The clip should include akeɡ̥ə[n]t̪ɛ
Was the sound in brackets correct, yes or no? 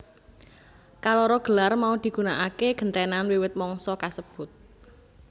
yes